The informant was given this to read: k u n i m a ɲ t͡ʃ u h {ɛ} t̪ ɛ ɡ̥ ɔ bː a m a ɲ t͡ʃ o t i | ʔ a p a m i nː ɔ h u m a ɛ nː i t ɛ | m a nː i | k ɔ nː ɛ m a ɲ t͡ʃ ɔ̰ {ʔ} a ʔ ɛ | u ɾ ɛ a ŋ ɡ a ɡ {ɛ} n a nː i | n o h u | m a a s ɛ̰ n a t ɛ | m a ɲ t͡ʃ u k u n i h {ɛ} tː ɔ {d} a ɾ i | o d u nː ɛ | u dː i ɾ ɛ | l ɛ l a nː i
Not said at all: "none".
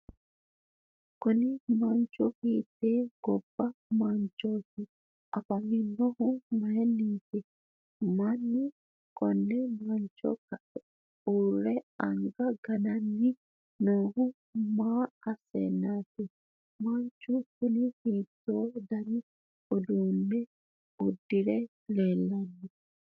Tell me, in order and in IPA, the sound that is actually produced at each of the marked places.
i, k, a, i, d

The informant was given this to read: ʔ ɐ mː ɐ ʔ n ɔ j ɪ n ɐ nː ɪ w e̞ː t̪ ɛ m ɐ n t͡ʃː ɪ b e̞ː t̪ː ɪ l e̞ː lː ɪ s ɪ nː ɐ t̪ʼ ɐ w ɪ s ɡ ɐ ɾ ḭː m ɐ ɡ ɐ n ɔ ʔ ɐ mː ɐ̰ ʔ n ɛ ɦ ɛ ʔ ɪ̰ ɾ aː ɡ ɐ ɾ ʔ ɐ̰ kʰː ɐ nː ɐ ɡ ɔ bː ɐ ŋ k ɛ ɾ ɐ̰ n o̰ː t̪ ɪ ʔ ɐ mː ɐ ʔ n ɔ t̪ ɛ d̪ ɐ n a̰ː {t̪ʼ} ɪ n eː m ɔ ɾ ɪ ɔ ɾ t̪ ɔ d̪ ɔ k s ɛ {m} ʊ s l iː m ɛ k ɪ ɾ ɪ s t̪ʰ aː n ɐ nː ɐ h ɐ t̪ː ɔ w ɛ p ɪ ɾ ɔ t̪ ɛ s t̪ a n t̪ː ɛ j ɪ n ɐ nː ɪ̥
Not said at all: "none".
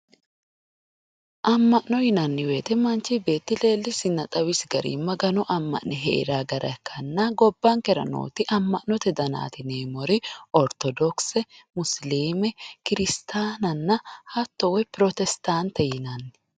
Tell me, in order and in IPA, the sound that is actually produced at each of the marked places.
t̪, m

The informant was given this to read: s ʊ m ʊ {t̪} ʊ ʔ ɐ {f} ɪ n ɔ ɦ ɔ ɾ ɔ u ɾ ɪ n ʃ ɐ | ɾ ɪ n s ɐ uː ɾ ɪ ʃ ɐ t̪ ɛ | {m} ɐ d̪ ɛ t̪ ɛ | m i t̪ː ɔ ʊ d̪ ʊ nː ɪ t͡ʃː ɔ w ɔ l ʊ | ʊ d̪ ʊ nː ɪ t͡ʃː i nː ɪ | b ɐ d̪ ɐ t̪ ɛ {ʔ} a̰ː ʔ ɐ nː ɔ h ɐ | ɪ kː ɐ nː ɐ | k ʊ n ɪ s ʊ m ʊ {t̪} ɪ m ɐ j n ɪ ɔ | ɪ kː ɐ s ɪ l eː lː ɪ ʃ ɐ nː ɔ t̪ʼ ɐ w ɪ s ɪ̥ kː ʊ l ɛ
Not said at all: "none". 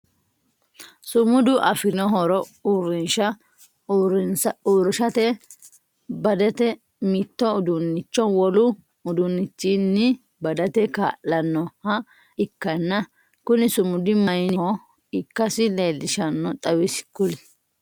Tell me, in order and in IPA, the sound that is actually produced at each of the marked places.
d̪, f, b, k, d̪

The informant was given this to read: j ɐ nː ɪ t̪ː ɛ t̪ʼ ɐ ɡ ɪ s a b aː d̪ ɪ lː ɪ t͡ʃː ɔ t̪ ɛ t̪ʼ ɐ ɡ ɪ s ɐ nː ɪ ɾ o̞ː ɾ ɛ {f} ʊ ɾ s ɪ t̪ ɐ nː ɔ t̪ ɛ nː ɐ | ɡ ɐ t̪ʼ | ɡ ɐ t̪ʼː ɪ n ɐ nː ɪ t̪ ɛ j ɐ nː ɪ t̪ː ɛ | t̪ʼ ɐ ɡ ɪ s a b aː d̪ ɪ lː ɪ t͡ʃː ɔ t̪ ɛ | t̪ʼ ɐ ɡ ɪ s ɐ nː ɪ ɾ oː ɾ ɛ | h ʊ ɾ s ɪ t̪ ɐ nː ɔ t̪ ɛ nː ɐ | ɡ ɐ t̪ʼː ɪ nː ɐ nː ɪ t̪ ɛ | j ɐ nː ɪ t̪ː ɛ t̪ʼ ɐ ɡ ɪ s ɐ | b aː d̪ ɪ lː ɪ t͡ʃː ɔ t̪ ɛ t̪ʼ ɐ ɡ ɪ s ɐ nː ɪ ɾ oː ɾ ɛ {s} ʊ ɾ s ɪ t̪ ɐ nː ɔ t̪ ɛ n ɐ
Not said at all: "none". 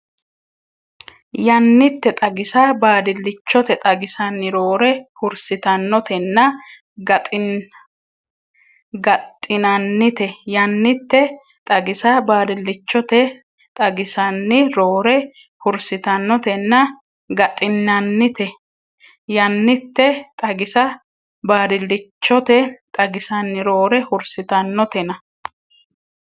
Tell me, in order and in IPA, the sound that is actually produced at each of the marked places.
h, h

